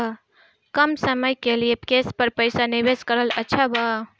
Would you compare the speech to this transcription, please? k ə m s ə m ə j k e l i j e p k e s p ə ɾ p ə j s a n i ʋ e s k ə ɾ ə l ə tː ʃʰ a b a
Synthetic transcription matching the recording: k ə m s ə m ə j k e l i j e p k e s p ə ɾ p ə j s a n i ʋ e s k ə ɾ ə l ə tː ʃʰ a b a

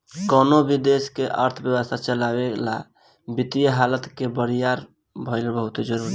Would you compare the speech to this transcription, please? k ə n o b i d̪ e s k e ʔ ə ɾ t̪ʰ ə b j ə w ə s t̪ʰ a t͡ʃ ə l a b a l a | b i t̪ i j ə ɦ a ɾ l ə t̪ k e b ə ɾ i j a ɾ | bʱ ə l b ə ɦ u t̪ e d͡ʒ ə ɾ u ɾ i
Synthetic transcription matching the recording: k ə n o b i d̪ e s k e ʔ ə ɾ t̪ʰ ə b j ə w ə s t̪ʰ a t͡ʃ ə l a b e l a | b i t̪ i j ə ɦ a l ə t̪ k e b ə ɾ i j a ɾ | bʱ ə l b ə ɦ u t̪ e d͡ʒ ə ɾ u ɾ i

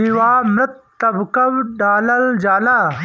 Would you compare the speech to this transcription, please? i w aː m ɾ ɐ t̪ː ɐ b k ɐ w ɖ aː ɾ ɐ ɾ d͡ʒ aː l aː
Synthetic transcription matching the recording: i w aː m ɾ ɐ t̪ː ɐ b k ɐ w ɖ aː l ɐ l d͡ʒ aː l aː

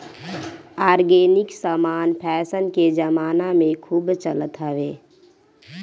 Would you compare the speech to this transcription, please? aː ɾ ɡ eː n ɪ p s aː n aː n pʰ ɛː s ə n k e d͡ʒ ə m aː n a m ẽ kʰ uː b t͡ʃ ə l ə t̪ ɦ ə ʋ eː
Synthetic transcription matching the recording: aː ɾ ɡ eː n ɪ k s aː m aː n pʰ ɛː s ə n k e d͡ʒ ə m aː n a m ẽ kʰ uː b t͡ʃ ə l ə t̪ ɦ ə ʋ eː

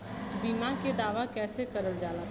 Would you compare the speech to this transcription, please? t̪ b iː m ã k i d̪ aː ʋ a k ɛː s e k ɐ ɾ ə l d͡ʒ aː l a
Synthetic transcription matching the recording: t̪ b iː m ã k e d̪ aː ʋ a k ɛː s e k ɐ ɾ ə l d͡ʒ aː l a

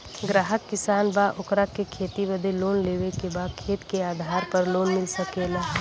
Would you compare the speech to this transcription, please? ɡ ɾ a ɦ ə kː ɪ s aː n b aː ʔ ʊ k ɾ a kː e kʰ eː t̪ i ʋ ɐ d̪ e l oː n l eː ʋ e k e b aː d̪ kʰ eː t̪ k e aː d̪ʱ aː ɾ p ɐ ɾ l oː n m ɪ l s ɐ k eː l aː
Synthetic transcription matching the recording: ɡ ɾ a ɦ ə kː ɪ s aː n b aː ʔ ʊ k ɾ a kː e kʰ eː t̪ i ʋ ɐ d̪ e l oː n l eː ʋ e k e b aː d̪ kʰ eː t̪ k e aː d̪ʱ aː ɾ p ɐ ɾ l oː n m ɪ l s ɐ k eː l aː

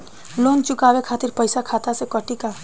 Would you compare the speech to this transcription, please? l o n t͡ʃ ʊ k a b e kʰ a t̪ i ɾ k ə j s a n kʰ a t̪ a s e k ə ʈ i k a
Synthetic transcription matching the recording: l o n t͡ʃ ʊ k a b e kʰ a t̪ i ɾ p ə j s a kʰ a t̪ a s e k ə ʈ i k a

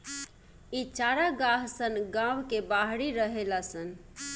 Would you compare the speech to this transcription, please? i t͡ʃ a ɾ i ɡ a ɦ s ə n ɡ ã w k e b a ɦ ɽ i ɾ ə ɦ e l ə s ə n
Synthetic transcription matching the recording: i t͡ʃ a ɾ a ɡ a ɦ s ə n ɡ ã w k e b a ɦ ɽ i ɾ ə ɦ e l a s ə n

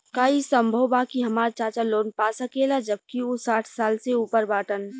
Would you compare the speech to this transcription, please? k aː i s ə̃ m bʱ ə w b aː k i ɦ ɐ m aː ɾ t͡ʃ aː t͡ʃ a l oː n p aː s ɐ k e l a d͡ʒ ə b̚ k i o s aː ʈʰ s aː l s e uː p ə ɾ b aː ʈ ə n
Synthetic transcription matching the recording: k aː i s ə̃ m bʱ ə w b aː k i ɦ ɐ m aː ɾ t͡ʃ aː t͡ʃ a l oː n p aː s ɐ k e l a d͡ʒ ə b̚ k i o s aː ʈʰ s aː l s e uː p ə ɾ b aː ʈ ə n

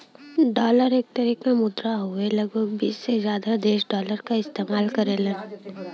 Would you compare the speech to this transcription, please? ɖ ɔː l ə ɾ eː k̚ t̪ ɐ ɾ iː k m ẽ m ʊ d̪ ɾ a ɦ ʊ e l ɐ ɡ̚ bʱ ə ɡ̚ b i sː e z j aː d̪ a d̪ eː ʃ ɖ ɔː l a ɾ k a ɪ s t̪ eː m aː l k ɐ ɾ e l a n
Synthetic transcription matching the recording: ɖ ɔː l ə ɾ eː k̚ t̪ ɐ ɾ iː k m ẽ m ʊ d̪ ɾ a ɦ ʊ e l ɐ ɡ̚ bʱ ə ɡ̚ b iː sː e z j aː d̪ a d̪ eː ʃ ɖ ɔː l ə ɾ k a ɪ s t̪ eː m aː l k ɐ ɾ e l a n

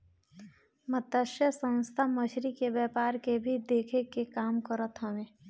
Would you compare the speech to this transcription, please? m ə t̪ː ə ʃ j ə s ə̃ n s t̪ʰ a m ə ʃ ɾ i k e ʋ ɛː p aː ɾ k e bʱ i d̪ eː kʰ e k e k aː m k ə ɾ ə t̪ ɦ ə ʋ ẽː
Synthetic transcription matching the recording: m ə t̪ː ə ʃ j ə s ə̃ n s t̪ʰ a m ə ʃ ɾ i k e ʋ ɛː p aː ɾ k e bʱ i d̪ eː kʰ e k e k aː m k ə ɾ ə t̪ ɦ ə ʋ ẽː

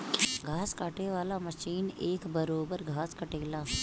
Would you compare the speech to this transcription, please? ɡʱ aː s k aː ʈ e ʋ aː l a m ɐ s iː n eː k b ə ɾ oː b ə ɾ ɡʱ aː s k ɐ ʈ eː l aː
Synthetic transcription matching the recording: ɡʱ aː s k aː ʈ e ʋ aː l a m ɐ ʃ iː n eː k b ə ɾ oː b ə ɾ ɡʱ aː s k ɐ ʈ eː l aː

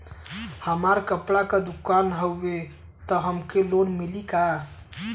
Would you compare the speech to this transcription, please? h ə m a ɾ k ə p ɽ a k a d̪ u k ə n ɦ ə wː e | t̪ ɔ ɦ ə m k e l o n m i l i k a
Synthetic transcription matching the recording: h ə m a ɾ k ə p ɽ a k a d̪ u k a n ɦ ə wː e | t̪ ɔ ɦ ə m k e l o n m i l i k a

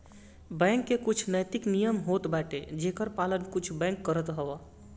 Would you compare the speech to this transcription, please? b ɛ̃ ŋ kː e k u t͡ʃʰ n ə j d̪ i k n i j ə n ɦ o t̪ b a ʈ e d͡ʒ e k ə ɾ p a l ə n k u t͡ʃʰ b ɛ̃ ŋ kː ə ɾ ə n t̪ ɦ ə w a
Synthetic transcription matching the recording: b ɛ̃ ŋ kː e k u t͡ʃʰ n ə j t̪ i k n i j ə m ɦ o t̪ b a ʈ e d͡ʒ e k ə ɾ p a l ə n k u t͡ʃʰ b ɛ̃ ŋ kː ə ɾ ə t̪ ɦ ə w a

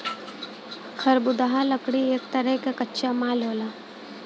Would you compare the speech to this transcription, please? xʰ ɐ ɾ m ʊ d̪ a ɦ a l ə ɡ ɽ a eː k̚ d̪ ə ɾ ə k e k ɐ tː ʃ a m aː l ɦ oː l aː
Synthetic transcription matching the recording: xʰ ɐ ɾ b ʊ d̪ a ɦ a l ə k ɽ i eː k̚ t̪ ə ɾ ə k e k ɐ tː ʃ a m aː l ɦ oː l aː

